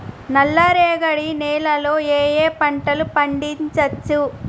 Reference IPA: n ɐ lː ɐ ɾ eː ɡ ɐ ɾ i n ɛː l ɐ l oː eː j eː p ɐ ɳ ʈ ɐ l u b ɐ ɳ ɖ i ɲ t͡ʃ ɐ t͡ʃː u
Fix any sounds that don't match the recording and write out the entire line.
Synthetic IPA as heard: n ɐ lː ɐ ɾ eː ɡ ɐ ɽ i n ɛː l ɐ l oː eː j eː p ɐ ɳ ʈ ɐ l u p ɐ ɳ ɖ i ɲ t͡ʃ ɐ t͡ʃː u